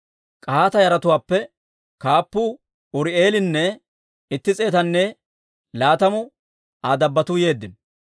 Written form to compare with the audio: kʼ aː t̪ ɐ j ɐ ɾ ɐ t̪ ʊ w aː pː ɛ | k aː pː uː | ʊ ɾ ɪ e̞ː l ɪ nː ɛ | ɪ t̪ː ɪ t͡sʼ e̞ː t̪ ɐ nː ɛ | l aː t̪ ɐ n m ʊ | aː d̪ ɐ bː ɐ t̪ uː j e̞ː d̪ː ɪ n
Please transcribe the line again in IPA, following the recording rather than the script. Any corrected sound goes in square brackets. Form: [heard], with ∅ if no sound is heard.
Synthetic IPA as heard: kʼ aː t̪ ɐ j ɐ ɾ ɐ t̪ ʊ w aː pː ɛ | k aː pː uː | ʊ ɾ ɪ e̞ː l ɪ nː ɛ | ɪ t̪ː ɪ t͡sʼ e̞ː t̪ ɐ nː ɛ | l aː t̪ ɐ [∅] m ʊ | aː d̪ ɐ bː ɐ t̪ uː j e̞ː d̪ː ɪ n